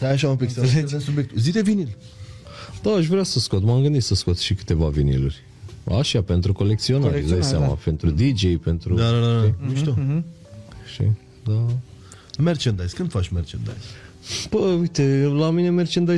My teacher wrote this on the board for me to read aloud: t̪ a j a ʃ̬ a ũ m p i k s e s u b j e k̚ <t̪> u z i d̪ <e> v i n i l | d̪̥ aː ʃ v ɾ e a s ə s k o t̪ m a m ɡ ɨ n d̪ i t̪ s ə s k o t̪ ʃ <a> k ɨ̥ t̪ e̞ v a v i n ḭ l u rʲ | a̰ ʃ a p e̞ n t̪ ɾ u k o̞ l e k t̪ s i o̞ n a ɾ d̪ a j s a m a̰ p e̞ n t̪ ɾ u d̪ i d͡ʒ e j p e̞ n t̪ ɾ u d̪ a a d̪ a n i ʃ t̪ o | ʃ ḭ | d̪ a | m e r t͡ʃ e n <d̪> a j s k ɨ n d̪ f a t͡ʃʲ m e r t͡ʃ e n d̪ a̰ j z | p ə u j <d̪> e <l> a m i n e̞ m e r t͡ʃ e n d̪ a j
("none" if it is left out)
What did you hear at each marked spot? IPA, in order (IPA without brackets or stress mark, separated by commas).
t̪, e, i, d̪, t̪, l